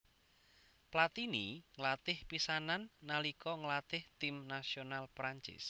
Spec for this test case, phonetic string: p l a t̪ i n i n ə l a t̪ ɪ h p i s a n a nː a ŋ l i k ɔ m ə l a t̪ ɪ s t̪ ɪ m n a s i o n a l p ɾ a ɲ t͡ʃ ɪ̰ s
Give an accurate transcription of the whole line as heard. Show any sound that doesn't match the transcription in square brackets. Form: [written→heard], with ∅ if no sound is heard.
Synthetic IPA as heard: p l a t̪ i n i [n→ŋ] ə l a t̪ ɪ h p i s a n a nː a [ŋ→∅] l i k ɔ [m→ŋ] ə l a t̪ ɪ [s→h] t̪ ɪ m n a s i o n a l p ɾ a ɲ t͡ʃ ɪ̰ s